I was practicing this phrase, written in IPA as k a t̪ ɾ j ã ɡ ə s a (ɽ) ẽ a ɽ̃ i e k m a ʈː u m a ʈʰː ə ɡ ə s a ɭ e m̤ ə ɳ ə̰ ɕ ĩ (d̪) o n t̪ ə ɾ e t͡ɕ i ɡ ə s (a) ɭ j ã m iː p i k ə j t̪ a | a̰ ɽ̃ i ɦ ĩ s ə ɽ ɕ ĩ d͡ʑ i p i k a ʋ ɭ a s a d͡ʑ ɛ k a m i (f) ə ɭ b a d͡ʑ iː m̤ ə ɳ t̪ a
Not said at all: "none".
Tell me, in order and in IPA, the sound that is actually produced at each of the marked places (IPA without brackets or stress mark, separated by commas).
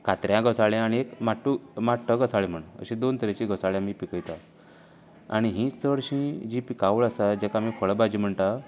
ɭ, d̪, a, f